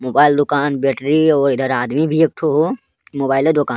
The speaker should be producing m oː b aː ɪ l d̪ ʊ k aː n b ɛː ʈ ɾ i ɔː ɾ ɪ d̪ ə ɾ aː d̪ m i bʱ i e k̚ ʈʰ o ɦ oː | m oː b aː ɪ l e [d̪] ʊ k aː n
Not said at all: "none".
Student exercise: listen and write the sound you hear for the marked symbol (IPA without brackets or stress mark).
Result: d̪